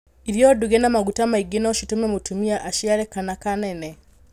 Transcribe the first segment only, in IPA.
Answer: i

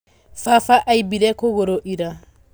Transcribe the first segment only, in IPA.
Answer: f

